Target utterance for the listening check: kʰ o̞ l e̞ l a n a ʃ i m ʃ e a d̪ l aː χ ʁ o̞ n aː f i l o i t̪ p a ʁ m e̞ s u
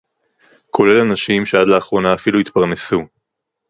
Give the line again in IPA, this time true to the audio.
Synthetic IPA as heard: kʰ o̞ l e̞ l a n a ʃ i m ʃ e a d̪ l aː χ ʁ o̞ n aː f i l u i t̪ p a ʁ n e̞ s u